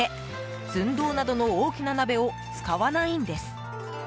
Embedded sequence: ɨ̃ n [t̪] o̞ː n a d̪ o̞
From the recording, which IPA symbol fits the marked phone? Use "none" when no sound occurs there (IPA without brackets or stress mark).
d̪